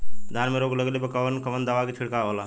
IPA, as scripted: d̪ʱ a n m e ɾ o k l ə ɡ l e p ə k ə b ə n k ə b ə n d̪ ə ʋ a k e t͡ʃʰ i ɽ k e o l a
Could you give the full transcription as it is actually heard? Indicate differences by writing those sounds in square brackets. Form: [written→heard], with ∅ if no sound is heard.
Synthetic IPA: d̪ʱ a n m e ɾ o [k→ɡ] l ə ɡ l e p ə k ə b ə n k ə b ə n d̪ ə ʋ a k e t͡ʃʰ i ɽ k [e→a] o l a